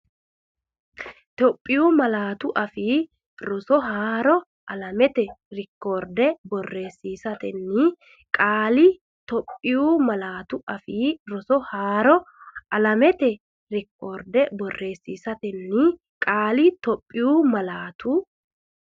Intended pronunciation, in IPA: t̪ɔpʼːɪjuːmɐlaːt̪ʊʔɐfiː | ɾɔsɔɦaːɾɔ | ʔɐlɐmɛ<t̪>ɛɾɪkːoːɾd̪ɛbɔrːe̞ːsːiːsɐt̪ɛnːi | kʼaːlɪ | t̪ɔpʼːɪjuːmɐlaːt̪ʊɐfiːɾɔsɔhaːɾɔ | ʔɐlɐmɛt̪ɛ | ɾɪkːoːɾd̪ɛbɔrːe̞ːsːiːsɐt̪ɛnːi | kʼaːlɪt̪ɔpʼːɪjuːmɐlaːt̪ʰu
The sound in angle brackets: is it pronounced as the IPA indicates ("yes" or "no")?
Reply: yes